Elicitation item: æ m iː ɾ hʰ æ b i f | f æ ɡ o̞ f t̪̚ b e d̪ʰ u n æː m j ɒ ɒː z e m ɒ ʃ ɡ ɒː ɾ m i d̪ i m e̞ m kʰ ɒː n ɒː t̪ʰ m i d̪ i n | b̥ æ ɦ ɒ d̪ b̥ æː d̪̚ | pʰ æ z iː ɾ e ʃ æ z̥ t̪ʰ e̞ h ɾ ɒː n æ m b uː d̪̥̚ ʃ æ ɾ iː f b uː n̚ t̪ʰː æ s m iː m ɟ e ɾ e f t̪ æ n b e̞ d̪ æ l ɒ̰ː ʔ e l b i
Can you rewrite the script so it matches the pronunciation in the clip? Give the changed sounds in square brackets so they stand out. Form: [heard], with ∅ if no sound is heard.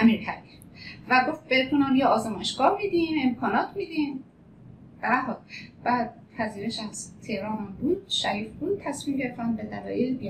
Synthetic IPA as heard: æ m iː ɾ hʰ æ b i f | [v] æ ɡ o̞ f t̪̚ b e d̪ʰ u n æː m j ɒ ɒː z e m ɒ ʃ ɡ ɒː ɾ m i d̪ i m e̞ m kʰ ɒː n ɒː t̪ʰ m i d̪ i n | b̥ æ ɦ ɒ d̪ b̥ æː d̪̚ | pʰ æ z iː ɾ e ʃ æ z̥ t̪ʰ e̞ h ɾ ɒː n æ m b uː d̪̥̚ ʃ æ ɾ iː f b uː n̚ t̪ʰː æ s m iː m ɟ e ɾ e f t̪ æ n b e̞ d̪ æ l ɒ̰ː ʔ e l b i